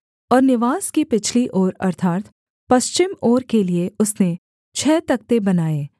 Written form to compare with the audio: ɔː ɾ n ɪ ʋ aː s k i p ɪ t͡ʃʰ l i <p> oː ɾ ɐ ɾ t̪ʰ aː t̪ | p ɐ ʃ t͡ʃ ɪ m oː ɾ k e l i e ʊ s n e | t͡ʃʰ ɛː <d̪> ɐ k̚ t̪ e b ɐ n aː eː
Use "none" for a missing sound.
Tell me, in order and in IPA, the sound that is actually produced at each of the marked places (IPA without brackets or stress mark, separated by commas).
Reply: ʔ, t̪